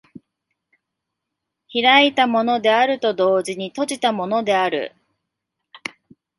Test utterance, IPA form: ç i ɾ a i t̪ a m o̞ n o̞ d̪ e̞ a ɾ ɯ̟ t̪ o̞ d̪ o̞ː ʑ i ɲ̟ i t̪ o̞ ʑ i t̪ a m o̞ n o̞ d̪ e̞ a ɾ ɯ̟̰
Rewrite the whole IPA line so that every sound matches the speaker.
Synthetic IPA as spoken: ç i ɾ a i t̪ a m o̞ n o̞ d̪ e̞ a ɾ ɯ̟ t̪ o̞ d̪ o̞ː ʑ i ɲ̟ i t̪ o̞ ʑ i t̪ a m o̞ n o̞ d̪ e̞ a ɾ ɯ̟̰